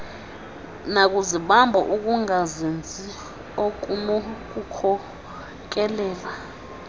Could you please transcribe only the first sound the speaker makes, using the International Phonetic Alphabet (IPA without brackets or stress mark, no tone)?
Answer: n